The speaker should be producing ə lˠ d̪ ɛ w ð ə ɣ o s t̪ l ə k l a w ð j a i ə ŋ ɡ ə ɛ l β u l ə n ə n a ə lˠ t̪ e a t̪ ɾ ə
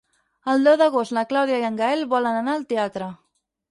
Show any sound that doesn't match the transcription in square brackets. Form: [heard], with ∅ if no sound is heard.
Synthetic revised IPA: ə lˠ d̪ ɛ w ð ə ɣ o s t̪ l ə k l a w ð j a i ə ŋ ɡ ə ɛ l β [ɔ] l ə n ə n a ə lˠ t̪ e a t̪ ɾ ə